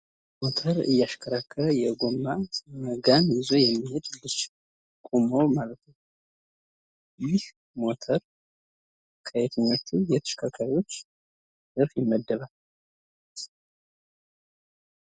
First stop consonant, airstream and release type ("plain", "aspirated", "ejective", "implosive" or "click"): aspirated